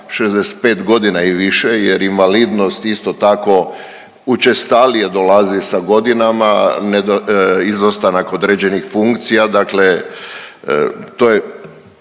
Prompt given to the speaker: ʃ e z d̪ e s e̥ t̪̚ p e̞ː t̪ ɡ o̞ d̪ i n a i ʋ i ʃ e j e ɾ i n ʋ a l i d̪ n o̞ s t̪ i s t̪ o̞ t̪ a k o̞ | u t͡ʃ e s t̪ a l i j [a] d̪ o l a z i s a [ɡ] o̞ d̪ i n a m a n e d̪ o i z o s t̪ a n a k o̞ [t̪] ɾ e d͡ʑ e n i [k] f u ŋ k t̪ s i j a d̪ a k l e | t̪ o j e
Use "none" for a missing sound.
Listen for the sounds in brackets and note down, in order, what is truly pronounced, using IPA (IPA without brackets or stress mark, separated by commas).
e, ɡ, d̪, x